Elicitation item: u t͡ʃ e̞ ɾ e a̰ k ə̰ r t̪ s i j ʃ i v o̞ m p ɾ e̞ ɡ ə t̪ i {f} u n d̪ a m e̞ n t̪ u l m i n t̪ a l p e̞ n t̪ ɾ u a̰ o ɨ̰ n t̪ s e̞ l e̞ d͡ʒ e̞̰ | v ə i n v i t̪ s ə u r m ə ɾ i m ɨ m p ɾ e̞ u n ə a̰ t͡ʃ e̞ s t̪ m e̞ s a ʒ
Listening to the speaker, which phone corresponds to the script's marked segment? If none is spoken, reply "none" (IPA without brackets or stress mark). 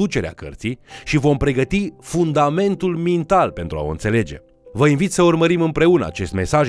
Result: f